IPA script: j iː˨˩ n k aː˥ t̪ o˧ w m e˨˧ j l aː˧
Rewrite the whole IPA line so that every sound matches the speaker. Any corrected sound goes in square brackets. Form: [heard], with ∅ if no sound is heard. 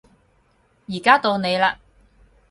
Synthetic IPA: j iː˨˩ [∅] k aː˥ t̪ o˧ w [n] e˨˧ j l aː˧